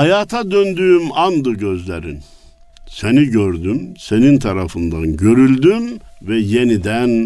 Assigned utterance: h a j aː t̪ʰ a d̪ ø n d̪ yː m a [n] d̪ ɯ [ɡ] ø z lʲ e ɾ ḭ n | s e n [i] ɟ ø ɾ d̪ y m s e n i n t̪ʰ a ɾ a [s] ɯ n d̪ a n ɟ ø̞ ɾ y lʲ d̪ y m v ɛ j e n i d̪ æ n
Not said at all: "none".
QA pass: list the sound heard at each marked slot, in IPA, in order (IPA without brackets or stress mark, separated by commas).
n, ɟ, i, f